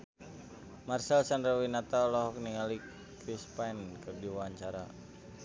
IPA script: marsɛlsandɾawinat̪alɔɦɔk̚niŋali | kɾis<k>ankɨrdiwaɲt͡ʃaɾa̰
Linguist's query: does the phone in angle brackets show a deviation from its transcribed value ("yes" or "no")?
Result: yes